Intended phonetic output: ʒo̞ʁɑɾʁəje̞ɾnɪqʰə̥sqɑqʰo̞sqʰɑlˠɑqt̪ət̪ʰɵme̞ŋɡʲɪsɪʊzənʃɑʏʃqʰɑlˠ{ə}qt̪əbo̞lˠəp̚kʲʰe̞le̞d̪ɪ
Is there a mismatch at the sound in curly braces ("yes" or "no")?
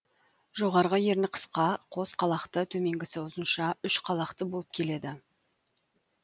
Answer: yes